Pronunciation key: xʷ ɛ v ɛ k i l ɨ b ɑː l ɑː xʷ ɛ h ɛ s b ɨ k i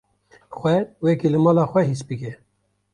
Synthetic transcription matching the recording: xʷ ɛ w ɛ k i l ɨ m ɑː l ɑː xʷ ɛ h i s b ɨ k ɛ